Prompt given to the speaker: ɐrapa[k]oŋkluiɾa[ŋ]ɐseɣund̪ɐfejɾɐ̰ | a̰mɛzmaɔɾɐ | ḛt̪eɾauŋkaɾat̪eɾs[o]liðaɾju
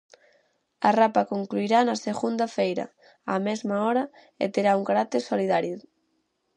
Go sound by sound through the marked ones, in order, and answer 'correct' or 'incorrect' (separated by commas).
correct, incorrect, correct